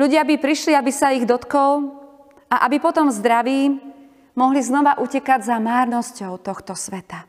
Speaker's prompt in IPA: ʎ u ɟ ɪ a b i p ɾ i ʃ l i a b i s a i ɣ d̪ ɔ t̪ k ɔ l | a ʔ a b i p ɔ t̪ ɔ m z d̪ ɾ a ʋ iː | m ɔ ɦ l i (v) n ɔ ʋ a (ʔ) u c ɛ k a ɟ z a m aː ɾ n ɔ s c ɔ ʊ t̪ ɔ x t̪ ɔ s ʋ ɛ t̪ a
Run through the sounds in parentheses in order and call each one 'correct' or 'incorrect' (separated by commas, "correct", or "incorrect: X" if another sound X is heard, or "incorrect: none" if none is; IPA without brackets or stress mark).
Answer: incorrect: z, correct